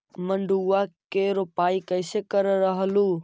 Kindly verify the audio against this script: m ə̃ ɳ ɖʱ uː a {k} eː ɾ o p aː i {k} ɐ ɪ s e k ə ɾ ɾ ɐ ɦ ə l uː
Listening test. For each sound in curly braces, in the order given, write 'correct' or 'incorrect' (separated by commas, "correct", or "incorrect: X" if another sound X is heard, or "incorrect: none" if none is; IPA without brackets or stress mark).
correct, correct